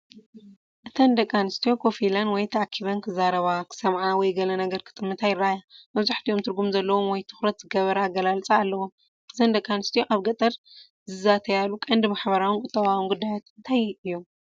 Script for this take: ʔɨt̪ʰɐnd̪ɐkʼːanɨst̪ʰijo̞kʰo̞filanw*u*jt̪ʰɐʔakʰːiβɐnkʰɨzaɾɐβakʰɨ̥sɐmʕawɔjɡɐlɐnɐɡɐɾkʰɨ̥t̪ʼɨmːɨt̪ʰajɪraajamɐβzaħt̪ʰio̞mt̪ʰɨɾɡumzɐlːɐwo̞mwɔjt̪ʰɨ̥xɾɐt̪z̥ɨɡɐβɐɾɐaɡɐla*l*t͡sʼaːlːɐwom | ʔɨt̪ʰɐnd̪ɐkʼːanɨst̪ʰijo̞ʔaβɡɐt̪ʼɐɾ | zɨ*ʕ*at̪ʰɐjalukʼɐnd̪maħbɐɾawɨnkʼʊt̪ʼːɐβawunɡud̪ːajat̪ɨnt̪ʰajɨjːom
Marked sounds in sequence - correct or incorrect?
incorrect: ɔ, correct, incorrect: z

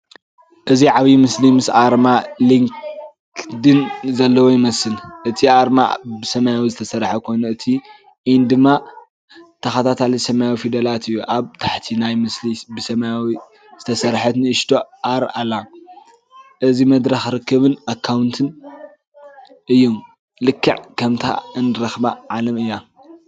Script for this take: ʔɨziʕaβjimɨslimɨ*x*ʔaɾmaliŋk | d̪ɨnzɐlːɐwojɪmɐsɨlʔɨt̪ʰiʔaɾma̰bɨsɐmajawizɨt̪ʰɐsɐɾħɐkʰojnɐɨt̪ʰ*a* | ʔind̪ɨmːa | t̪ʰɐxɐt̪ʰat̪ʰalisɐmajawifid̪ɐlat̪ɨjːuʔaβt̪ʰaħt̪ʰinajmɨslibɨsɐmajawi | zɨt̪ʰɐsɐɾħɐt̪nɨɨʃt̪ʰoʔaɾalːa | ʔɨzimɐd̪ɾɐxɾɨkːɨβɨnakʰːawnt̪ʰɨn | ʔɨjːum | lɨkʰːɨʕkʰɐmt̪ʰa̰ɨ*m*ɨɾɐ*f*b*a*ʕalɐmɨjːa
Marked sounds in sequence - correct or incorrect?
incorrect: s, incorrect: i, incorrect: n, incorrect: x, correct

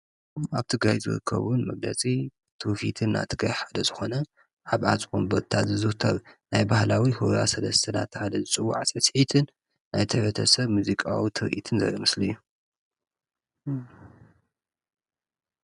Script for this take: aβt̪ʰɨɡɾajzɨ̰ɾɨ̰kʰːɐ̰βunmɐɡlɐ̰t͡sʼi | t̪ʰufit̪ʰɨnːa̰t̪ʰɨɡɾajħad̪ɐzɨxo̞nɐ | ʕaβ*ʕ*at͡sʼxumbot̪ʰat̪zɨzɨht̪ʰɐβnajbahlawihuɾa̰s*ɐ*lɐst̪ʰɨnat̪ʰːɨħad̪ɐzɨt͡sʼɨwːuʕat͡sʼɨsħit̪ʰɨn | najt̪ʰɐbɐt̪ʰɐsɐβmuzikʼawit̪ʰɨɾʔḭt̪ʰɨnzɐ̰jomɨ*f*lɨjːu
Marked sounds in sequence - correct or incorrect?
correct, correct, incorrect: s

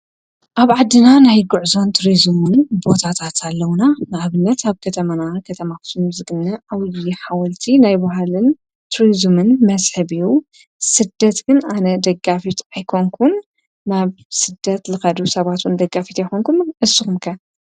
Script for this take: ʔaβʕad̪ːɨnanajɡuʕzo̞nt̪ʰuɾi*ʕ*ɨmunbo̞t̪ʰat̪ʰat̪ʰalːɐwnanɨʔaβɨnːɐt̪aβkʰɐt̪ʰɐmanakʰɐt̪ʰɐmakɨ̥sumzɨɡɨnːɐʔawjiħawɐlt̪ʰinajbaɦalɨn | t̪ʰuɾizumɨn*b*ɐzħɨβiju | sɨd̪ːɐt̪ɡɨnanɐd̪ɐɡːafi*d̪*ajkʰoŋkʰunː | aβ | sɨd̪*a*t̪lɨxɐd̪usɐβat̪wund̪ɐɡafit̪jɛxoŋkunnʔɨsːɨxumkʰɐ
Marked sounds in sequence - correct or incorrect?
incorrect: z, incorrect: m, incorrect: t̪, incorrect: ɐ

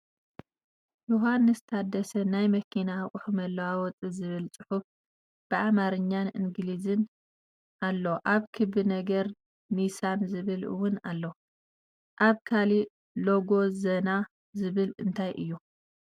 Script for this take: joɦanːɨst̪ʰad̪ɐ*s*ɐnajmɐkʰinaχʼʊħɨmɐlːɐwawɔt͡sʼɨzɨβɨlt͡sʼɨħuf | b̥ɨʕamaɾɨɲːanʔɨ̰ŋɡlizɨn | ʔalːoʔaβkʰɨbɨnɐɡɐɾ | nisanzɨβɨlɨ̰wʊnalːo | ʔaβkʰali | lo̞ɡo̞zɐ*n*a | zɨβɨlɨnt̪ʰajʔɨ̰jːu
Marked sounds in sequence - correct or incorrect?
correct, correct

